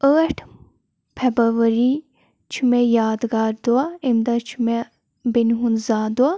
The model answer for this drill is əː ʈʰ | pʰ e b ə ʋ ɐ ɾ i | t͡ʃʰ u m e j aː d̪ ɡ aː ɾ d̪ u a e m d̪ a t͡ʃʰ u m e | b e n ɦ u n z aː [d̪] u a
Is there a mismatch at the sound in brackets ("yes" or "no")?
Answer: no